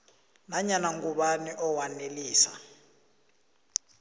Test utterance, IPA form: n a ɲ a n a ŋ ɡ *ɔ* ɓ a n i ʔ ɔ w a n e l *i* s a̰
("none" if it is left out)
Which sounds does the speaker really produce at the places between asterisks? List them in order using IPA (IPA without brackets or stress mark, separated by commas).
u, iː